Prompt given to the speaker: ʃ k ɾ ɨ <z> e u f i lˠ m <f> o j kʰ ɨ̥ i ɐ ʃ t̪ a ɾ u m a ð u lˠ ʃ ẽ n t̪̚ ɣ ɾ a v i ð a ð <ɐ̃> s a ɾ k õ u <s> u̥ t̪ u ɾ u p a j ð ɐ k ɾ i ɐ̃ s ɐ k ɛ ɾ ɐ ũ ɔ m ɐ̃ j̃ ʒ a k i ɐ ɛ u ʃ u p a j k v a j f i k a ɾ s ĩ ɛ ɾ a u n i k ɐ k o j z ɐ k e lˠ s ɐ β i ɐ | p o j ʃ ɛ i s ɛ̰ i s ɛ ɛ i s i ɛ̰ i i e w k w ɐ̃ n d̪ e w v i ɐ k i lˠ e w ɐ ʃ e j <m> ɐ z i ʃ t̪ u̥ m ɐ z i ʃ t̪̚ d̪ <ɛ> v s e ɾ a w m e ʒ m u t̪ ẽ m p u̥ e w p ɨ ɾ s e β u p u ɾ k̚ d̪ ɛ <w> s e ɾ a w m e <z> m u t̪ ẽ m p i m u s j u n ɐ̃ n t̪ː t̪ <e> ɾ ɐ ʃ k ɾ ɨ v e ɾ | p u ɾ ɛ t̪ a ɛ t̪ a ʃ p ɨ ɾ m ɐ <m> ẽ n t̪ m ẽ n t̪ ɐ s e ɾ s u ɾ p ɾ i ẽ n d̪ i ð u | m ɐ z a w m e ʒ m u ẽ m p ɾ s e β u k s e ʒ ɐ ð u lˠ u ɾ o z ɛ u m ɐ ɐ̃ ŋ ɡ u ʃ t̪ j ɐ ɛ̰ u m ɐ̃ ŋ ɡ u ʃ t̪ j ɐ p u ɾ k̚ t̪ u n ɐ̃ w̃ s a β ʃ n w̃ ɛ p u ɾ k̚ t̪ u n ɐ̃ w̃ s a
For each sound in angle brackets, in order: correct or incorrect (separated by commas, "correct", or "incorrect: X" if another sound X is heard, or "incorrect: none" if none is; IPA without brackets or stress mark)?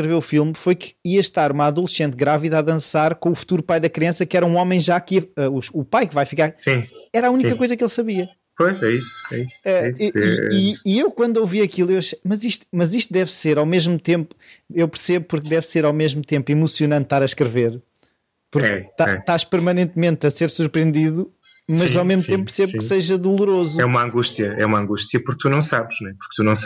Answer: incorrect: v, correct, correct, incorrect: f, correct, correct, incorrect: v, incorrect: ʒ, incorrect: a, incorrect: n